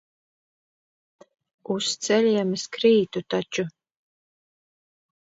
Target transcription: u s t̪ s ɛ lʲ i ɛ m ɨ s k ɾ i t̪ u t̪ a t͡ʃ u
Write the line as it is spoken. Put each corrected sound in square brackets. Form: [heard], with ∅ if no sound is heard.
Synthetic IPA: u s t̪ s ɛ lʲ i ɛ m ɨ s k ɾ [iː] t̪ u t̪ a t͡ʃ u